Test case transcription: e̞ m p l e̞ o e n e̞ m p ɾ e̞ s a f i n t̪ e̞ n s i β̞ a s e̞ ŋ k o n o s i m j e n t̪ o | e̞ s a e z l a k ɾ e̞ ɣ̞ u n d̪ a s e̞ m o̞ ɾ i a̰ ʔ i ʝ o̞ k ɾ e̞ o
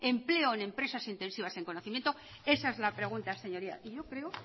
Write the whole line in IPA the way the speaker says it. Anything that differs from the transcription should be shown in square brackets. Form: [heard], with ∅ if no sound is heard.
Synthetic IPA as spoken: e̞ m p l e̞ o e n e̞ m p ɾ e̞ s a [s] i n t̪ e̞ n s i β̞ a s e̞ ŋ k o n o [θ] i m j e n t̪ o | e̞ s a e z l a [p] ɾ e̞ ɣ̞ u n [t̪] a s e̞ [ɲ] o̞ ɾ i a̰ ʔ i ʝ o̞ k ɾ e̞ o